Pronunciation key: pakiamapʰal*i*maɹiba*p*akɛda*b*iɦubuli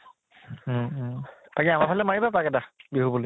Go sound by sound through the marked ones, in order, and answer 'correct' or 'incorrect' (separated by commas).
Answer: incorrect, correct, correct